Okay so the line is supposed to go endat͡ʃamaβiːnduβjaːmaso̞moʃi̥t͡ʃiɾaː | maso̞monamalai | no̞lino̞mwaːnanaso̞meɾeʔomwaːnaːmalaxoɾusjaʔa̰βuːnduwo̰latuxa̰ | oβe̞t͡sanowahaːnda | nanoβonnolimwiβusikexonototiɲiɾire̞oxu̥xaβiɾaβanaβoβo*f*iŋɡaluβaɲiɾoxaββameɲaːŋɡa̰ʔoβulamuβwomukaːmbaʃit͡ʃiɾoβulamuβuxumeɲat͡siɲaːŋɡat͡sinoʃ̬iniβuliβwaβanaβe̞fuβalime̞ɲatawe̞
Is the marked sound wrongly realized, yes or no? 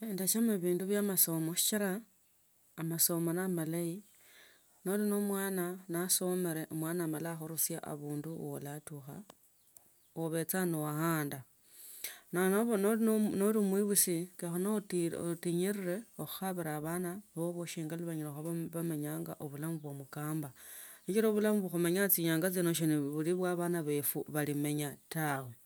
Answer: yes